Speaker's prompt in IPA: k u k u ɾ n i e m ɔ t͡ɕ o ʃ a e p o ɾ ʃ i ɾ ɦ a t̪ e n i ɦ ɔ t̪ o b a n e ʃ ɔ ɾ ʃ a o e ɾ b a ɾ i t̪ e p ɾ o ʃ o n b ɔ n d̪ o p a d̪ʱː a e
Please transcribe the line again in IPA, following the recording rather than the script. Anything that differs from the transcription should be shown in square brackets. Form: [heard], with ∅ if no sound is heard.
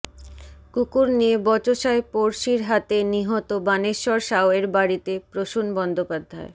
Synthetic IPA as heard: k u k u ɾ n i e [b] ɔ t͡ɕ o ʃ a e p o ɾ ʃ i ɾ ɦ a t̪ e n i ɦ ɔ t̪ o b a n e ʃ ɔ ɾ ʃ a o e ɾ b a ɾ i t̪ e p ɾ o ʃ [u] n b ɔ n d̪ o p a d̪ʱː a e

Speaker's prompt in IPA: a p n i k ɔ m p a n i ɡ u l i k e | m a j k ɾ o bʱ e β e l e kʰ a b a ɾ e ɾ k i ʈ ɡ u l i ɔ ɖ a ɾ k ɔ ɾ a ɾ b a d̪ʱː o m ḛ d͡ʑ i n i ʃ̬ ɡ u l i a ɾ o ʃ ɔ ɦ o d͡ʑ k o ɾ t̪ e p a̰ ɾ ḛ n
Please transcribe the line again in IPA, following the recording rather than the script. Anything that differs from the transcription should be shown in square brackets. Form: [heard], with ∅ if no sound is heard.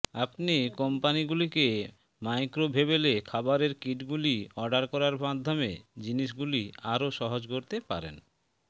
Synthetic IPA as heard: a p n i k ɔ m p a n i ɡ u l i k e | m a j k ɾ o bʱ e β e l e kʰ a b a ɾ e ɾ k i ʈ ɡ u l i ɔ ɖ a ɾ k ɔ ɾ a ɾ b a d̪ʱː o m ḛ d͡ʑ i n i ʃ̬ ɡ u l i a ɾ o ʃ ɔ ɦ o d͡ʑ k o ɾ t̪ e p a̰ ɾ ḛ n

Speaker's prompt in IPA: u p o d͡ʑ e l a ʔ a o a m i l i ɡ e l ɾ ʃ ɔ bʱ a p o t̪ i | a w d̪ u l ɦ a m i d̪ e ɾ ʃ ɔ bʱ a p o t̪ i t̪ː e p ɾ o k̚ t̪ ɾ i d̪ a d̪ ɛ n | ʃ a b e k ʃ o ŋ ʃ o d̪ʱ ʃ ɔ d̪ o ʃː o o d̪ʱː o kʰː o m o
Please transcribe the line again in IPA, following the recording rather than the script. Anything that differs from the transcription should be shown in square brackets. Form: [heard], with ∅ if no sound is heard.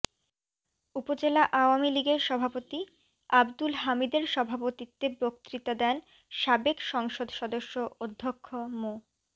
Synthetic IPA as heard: u p o d͡ʑ e l a ʔ a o a m i l i ɡ e [∅] ɾ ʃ ɔ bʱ a p o t̪ i | a [b] d̪ u l ɦ a m i d̪ e ɾ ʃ ɔ bʱ a p o t̪ i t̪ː e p ɾ o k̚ t̪ ɾ i [t̪] a d̪ ɛ n | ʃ a b e k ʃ [ɔ] ŋ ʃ o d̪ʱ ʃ ɔ d̪ o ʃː o o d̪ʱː o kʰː o m o

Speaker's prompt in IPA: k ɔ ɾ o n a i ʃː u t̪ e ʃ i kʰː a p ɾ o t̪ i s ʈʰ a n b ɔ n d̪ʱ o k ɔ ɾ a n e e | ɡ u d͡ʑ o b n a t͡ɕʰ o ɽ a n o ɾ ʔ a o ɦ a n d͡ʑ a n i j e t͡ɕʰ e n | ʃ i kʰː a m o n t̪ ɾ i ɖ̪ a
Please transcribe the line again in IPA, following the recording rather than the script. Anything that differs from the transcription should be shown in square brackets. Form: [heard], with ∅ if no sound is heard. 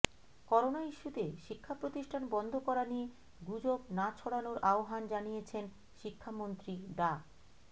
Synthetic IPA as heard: k ɔ ɾ o n a i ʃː u t̪ e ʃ i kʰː a p ɾ o t̪ i [ʃ] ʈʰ a n b ɔ n d̪ʱ o k ɔ ɾ a n [i] e | ɡ u d͡ʑ o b n a t͡ɕʰ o ɽ a n o ɾ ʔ a o ɦ a n d͡ʑ a n i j e t͡ɕʰ e n | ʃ i kʰː a m o n t̪ ɾ i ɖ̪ a

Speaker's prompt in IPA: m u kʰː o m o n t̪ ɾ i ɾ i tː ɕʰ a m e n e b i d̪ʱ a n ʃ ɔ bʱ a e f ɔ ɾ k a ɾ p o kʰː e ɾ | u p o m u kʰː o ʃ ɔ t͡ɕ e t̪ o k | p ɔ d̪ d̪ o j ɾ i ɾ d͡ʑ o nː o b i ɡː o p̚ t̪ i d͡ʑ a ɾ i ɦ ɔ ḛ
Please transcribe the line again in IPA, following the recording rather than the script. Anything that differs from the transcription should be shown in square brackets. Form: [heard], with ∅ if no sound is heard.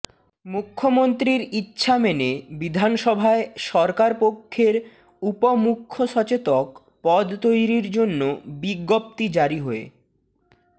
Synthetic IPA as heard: m u kʰː o m o n t̪ ɾ i ɾ i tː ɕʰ a m e n e b i d̪ʱ a n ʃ ɔ bʱ a e [ʃ] ɔ ɾ k a ɾ p o kʰː e ɾ | u p o m u kʰː o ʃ ɔ t͡ɕ e t̪ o k | p ɔ d̪ [t̪] o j ɾ i ɾ d͡ʑ o nː o b i ɡː o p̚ t̪ i d͡ʑ a ɾ i ɦ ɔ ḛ

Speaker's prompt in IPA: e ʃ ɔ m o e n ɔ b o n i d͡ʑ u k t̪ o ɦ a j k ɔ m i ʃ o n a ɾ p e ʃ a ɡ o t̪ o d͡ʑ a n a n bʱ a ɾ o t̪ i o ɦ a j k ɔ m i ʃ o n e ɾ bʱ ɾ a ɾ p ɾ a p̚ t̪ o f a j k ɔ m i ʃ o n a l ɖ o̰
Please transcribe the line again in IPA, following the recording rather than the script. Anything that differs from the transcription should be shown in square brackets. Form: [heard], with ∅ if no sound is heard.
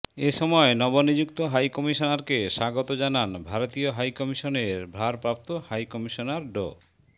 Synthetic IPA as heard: e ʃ ɔ m [ɔ] e n ɔ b o n i d͡ʑ u k t̪ o ɦ a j k ɔ m i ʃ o n a ɾ [k] e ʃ a ɡ o t̪ o d͡ʑ a n a n bʱ a ɾ o t̪ i o ɦ a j k ɔ m i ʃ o n e ɾ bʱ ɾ a ɾ p ɾ a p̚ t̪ o [h] a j k ɔ m i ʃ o n a [ɾ] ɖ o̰

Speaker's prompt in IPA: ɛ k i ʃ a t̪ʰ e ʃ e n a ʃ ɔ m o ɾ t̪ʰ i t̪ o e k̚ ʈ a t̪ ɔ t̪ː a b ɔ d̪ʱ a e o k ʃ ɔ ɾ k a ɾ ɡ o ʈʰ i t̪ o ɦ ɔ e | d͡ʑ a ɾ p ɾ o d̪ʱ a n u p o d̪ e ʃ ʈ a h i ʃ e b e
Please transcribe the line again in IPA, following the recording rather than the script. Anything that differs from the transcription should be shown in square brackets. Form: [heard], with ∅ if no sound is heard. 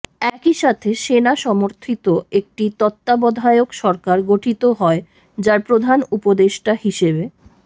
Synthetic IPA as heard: ɛ k i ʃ a t̪ʰ e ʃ e n a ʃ ɔ m o ɾ t̪ʰ i t̪ o e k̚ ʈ [i] t̪ ɔ t̪ː a b ɔ d̪ʱ a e o k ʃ ɔ ɾ k a ɾ ɡ o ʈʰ i t̪ o ɦ ɔ e | d͡ʑ a ɾ p ɾ o d̪ʱ a n u p o d̪ e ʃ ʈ a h i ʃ e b e

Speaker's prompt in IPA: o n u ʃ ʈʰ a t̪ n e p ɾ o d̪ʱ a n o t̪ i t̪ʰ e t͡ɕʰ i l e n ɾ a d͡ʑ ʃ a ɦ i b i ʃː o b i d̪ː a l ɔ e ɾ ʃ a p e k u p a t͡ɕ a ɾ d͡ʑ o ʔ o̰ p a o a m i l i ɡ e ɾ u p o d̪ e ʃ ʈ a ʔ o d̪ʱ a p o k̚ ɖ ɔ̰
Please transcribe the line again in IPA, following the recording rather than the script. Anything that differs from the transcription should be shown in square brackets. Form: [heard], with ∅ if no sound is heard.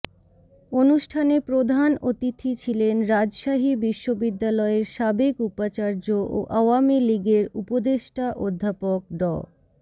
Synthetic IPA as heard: o n u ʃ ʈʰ a [∅] n e p ɾ o d̪ʱ a n o t̪ i t̪ʰ [i] t͡ɕʰ i l e n ɾ a d͡ʑ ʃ a ɦ i b i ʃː o b i d̪ː a l ɔ e ɾ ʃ a [b] e k u p a t͡ɕ a ɾ d͡ʑ o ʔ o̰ [ʔ] a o a m i l i ɡ e ɾ u p o d̪ e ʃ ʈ a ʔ o [d̪ʱː] a p o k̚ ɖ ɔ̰

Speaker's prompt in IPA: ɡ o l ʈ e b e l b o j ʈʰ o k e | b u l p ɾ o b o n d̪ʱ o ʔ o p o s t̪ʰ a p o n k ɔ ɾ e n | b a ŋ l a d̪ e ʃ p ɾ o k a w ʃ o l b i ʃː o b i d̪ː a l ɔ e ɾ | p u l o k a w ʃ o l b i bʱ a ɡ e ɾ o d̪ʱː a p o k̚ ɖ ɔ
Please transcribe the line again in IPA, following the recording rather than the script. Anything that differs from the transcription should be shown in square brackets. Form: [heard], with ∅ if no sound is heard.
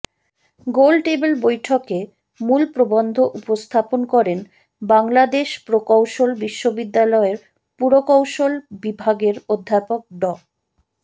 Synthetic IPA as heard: ɡ o l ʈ e b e l b o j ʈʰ o k e | [m] u l p ɾ o b o n d̪ʱ o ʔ [u] p o s t̪ʰ a p o n k ɔ ɾ e n | b a ŋ l a d̪ e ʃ p ɾ o k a w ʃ o l b i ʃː o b i d̪ː a l ɔ e ɾ | p u [ɾ] o k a w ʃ o l b i bʱ a ɡ e ɾ o d̪ʱː a p o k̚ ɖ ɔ

